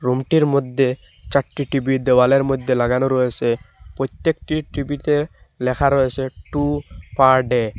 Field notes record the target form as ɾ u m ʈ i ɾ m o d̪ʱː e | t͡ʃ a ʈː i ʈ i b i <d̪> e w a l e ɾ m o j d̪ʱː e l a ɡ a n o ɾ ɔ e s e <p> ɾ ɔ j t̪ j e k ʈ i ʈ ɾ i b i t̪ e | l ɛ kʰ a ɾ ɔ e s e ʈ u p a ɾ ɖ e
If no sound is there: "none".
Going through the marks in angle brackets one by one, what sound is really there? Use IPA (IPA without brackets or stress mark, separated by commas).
d̪, p